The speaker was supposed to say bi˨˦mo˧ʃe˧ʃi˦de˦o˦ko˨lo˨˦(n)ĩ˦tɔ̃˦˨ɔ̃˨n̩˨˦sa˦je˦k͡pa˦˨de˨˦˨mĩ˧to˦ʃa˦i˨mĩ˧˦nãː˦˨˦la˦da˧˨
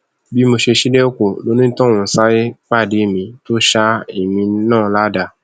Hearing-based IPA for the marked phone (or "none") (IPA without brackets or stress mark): n